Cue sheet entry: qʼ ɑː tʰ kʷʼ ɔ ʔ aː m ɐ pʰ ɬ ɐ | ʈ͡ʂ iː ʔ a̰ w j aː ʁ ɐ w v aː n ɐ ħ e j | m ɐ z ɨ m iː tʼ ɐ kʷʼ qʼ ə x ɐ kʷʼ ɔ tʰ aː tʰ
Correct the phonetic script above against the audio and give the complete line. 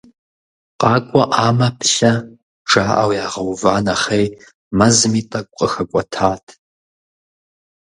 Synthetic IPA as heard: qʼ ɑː kʷʼ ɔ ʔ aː m ɐ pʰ ɬ ɐ | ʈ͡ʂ aː ʔ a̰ w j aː ʁ ɐ w v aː n ɐ χ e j | m ɐ z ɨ m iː tʼ ɐ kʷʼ qʼ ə x ɐ kʷʼ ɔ tʰ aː tʰ